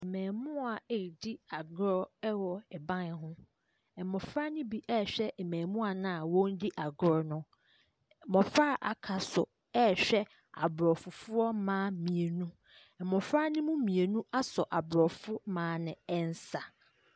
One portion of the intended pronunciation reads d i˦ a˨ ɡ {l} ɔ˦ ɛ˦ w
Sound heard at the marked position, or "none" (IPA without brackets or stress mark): ɾ